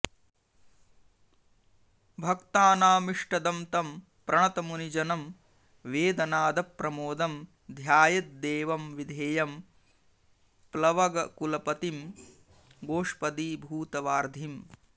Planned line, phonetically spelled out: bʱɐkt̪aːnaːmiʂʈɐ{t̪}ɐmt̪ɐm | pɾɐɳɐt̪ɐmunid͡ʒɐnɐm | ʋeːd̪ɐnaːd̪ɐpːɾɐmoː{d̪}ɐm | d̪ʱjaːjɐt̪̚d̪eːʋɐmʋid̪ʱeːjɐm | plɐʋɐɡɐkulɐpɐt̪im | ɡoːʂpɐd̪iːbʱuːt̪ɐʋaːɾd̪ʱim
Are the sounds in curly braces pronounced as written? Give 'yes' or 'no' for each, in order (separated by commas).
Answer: no, yes